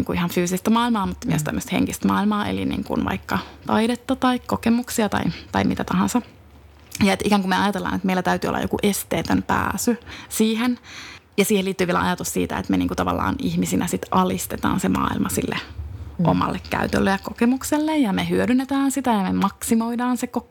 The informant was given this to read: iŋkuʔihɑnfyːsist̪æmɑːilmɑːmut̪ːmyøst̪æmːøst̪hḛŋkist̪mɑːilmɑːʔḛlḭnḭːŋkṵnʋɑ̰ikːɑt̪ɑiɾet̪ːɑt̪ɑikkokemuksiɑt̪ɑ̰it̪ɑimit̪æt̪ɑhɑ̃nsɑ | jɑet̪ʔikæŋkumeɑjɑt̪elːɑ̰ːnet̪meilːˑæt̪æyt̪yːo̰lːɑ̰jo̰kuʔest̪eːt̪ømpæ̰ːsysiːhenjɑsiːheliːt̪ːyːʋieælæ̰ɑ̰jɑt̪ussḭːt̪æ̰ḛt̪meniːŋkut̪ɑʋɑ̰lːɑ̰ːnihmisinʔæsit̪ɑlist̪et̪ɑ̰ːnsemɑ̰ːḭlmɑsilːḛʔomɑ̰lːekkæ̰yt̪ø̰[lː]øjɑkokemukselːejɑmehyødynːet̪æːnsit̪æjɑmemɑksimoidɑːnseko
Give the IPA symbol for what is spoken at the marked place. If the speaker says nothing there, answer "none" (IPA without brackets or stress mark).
lː